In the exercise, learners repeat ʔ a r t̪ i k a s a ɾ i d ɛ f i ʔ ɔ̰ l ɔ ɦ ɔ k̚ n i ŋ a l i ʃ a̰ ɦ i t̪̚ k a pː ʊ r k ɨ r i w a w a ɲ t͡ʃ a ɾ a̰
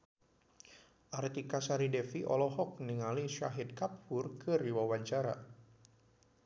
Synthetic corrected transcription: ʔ a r t̪ i k a s a ɾ i d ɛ f i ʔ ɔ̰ l ɔ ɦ ɔ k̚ n i ŋ a l i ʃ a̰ ɦ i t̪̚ k a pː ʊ r k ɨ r i w a w a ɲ t͡ʃ a ɾ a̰